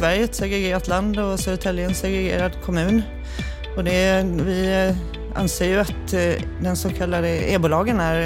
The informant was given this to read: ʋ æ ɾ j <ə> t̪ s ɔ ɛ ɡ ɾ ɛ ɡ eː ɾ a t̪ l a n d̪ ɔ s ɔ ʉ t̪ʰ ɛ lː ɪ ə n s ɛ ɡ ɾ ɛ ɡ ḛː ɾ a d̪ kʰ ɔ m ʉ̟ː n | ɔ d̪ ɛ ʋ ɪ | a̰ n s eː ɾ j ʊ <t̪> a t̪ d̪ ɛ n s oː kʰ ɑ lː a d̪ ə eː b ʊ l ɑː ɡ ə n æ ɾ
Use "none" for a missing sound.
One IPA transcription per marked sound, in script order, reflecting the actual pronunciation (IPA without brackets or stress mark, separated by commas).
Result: ə, none